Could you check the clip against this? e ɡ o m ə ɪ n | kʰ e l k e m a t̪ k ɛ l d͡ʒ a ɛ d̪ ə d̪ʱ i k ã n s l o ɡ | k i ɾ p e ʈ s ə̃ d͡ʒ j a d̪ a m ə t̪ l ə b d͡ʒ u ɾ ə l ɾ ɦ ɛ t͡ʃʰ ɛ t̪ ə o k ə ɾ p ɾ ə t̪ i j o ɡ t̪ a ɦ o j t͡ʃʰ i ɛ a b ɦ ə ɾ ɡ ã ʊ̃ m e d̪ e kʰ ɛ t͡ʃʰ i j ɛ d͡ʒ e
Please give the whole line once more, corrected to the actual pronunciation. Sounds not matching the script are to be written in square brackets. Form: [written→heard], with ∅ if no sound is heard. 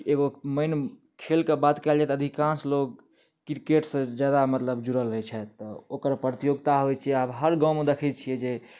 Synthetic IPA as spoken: e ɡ o m ə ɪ n | kʰ e l k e [m→b] a t̪ k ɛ l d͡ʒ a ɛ [d̪→t̪] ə d̪ʱ i k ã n s l o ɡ | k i ɾ [p→k] e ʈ s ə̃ d͡ʒ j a d̪ a m ə t̪ l ə b d͡ʒ u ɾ ə l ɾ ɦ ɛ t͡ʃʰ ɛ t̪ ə o k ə ɾ p ɾ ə t̪ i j o ɡ t̪ a ɦ o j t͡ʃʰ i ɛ a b ɦ ə ɾ ɡ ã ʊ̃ m e d̪ e kʰ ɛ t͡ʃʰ i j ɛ d͡ʒ e